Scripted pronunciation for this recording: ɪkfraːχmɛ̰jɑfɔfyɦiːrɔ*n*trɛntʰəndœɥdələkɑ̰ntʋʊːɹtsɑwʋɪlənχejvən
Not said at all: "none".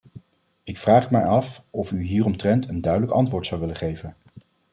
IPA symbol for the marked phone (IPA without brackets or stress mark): m